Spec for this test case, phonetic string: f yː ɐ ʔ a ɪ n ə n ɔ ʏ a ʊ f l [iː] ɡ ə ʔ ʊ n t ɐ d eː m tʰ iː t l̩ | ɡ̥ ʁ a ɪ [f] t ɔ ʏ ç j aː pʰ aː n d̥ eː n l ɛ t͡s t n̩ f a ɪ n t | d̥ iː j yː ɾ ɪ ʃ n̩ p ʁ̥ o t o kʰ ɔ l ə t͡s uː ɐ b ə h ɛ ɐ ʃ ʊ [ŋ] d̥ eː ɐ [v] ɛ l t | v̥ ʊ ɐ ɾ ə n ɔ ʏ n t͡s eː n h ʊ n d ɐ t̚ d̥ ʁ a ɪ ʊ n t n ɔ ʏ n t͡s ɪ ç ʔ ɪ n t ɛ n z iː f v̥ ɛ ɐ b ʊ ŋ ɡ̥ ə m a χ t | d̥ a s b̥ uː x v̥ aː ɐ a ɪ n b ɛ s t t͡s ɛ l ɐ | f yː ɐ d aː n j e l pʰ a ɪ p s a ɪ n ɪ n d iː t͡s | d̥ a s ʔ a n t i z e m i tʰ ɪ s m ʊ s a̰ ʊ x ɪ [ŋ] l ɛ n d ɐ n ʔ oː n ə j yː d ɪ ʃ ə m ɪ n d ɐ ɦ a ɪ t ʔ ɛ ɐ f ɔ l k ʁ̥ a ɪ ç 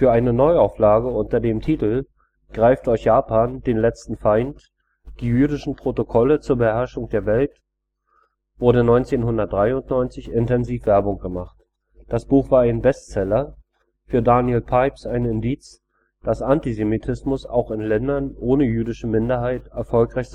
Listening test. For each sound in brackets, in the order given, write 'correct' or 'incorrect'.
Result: incorrect, correct, correct, correct, incorrect

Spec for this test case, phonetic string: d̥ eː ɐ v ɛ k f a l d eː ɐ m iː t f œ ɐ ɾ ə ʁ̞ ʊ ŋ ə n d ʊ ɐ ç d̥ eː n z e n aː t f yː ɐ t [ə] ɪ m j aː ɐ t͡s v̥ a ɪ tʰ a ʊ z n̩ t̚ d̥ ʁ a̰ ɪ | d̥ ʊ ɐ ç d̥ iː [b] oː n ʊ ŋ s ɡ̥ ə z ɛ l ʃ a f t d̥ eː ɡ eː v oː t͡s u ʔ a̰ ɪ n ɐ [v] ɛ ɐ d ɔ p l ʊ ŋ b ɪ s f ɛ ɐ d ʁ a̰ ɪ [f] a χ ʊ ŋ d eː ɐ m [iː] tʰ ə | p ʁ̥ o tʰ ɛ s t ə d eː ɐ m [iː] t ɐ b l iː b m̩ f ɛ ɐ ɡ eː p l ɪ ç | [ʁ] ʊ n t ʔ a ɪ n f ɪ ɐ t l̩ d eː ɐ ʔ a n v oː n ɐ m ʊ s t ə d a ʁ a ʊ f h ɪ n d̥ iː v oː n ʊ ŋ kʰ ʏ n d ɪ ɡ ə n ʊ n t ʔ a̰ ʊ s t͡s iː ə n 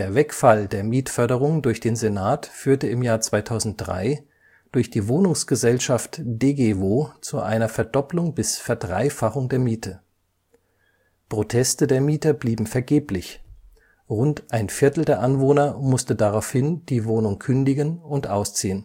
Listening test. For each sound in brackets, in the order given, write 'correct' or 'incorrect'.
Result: correct, incorrect, incorrect, correct, correct, correct, correct

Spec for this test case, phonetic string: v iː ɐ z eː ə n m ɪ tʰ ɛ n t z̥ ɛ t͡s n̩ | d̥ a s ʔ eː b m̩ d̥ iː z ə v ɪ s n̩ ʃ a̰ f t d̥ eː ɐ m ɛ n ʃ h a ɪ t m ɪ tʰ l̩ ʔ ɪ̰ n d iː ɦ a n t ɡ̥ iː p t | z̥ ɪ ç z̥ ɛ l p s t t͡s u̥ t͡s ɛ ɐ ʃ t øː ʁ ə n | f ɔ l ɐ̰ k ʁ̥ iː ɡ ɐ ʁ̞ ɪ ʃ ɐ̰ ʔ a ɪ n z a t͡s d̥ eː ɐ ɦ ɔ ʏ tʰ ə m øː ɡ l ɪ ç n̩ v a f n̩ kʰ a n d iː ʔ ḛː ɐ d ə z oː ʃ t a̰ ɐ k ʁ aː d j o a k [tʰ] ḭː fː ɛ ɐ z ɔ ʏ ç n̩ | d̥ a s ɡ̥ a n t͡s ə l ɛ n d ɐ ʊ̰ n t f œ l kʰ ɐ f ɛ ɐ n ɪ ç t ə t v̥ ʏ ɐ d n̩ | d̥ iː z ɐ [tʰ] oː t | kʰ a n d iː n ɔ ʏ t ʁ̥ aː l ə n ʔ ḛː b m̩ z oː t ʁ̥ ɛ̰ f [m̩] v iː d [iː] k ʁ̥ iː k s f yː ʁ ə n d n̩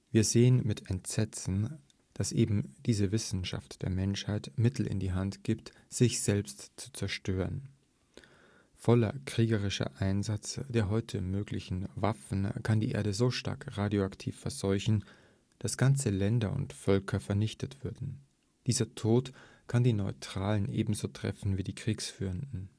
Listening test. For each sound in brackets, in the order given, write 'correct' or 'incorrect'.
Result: correct, correct, incorrect, correct

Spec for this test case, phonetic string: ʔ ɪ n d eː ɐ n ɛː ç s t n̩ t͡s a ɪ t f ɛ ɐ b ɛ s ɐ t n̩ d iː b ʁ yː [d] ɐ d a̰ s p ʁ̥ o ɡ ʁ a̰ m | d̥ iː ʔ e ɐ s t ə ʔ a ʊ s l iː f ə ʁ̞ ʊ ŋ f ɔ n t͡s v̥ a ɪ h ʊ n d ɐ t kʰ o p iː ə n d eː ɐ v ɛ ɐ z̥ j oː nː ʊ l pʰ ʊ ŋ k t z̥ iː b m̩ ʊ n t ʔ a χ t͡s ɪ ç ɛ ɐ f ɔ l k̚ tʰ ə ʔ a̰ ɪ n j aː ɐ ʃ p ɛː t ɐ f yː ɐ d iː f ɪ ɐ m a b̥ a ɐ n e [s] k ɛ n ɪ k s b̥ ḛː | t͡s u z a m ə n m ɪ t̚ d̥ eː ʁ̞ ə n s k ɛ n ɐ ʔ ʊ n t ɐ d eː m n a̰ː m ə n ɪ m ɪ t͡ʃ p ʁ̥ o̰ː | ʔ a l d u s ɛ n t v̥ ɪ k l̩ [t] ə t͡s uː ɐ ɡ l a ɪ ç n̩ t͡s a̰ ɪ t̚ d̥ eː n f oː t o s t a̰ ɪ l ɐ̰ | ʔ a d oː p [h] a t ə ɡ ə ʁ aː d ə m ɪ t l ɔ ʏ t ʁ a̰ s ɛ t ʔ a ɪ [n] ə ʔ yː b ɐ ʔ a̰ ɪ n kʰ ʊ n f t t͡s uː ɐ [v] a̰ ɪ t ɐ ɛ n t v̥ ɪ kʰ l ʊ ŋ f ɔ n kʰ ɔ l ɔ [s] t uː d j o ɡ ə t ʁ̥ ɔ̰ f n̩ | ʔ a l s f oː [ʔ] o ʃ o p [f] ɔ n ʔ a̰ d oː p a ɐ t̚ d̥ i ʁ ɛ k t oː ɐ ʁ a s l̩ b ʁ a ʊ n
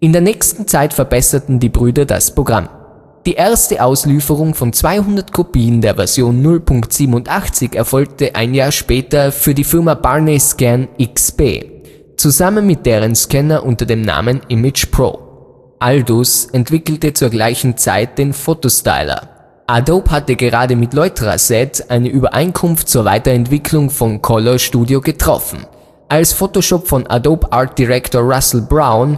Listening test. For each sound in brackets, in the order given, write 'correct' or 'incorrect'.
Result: correct, correct, correct, correct, correct, correct, incorrect, incorrect, correct

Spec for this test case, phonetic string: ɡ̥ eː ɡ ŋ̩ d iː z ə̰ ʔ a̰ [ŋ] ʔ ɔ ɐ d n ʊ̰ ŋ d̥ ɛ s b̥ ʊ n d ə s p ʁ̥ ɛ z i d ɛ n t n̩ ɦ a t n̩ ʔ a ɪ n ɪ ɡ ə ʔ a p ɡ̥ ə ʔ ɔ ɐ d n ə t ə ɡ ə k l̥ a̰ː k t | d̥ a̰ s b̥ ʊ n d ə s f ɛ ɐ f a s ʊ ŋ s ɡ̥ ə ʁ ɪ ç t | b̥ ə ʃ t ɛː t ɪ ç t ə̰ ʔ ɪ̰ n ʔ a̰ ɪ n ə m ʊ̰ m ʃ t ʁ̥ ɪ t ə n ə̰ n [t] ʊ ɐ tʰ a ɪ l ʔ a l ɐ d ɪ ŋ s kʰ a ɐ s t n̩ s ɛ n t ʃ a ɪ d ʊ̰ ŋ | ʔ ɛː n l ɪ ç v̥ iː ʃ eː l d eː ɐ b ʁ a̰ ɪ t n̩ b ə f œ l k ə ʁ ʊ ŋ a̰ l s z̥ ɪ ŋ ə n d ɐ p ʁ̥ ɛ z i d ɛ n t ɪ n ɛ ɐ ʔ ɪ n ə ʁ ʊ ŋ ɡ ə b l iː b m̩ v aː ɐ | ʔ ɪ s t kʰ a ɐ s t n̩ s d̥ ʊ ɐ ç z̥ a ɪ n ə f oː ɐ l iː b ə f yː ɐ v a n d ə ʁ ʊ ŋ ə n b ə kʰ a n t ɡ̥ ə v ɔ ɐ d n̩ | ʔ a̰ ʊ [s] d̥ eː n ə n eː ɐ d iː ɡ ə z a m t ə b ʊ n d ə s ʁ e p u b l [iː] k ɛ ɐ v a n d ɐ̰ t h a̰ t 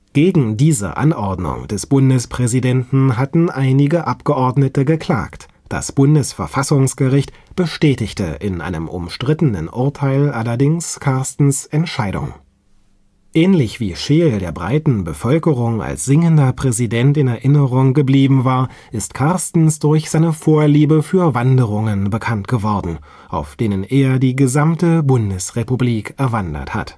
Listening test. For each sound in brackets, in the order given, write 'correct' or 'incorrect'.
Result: incorrect, incorrect, incorrect, correct

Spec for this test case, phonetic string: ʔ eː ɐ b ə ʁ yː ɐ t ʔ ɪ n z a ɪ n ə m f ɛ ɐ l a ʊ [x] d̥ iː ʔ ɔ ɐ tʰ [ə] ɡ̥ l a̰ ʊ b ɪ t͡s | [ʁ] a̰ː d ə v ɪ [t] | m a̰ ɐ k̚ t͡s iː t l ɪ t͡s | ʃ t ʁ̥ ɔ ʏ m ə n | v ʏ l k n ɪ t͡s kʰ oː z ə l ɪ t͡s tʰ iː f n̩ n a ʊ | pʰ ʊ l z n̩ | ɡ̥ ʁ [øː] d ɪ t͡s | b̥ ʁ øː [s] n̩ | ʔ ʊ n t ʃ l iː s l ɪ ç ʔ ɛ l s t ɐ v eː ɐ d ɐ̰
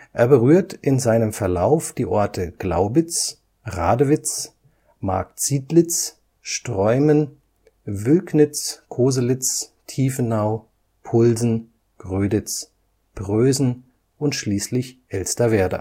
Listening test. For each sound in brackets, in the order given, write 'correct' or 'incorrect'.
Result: incorrect, correct, correct, incorrect, correct, incorrect

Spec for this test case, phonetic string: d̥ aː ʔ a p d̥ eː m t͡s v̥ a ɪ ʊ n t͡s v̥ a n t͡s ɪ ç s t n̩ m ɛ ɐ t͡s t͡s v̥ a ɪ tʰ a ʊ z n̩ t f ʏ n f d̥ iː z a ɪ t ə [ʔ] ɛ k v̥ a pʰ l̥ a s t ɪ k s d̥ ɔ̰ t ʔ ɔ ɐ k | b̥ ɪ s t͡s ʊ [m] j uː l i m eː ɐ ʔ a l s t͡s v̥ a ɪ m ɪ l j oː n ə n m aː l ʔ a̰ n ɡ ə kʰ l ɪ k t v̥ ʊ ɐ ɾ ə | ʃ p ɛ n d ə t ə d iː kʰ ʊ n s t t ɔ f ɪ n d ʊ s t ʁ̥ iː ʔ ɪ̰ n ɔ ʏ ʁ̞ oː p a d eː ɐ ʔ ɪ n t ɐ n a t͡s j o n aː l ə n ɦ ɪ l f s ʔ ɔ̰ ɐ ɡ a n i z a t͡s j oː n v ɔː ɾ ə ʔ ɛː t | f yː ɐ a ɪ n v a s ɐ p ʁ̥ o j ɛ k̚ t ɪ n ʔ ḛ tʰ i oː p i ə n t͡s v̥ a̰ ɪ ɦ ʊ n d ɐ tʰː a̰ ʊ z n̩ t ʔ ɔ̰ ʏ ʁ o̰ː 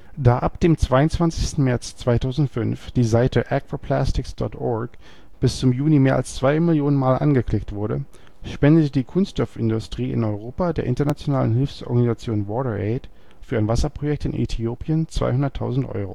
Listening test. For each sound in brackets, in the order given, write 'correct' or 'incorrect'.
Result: correct, correct

